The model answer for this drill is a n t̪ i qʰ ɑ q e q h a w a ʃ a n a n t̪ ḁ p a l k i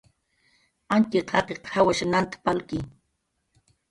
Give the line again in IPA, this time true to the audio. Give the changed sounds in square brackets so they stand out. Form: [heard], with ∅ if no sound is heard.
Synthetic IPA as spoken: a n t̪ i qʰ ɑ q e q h a w a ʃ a n a n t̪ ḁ p a l k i

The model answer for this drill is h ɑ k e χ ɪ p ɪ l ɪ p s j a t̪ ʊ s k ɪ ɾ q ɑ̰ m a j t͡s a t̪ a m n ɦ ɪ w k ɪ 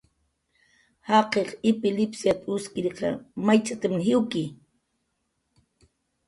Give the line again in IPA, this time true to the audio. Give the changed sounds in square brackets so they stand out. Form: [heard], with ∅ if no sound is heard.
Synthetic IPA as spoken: h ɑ [q] e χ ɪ p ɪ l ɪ p s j a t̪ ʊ s k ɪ ɾ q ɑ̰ m a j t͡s a t̪ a m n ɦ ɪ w k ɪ

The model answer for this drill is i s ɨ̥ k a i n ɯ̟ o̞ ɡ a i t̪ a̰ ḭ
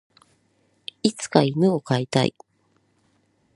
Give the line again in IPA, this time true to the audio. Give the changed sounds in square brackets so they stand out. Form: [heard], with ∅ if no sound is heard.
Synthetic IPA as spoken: i [t͡s] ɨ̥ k a i [m] ɯ̟ o̞ [k] a i t̪ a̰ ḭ

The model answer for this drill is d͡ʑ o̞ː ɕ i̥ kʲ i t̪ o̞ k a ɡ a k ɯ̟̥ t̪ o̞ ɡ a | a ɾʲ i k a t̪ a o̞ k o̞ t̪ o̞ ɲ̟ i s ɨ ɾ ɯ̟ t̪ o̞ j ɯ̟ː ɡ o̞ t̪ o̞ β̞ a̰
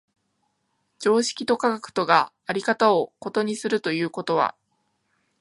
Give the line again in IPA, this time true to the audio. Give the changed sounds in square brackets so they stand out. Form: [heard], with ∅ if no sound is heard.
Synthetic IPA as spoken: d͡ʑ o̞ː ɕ i̥ kʲ i t̪ o̞ k a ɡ a k ɯ̟̥ t̪ o̞ ɡ a | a ɾʲ i k a t̪ a o̞ k o̞ t̪ o̞ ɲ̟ i s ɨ ɾ ɯ̟ t̪ o̞ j ɯ̟ː [k] o̞ t̪ o̞ β̞ a̰

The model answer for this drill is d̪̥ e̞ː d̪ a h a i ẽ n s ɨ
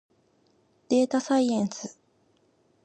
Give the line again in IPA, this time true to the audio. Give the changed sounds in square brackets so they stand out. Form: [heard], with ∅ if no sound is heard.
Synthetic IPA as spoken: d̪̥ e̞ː [t̪] a [s] a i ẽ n s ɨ

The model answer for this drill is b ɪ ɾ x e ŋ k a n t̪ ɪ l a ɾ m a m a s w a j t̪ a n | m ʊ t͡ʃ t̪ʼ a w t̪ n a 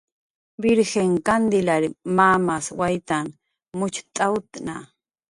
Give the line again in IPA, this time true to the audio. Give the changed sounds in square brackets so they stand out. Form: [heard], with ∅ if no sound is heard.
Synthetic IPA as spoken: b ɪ ɾ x e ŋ k a n [d̪] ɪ l a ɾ m a m a s w a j t̪ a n | m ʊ t͡ʃ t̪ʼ a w t̪ n a

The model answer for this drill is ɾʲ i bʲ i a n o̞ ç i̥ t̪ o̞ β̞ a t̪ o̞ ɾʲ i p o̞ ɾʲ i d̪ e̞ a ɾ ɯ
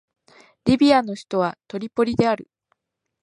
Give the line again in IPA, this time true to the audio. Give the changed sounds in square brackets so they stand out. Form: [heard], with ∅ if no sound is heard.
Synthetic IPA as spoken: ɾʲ i bʲ i a n o̞ ç i̥ t̪ o̞ β̞ a t̪ o̞ ɾʲ i p o̞ ɾʲ i d̪ e̞ a ɾ ɯ

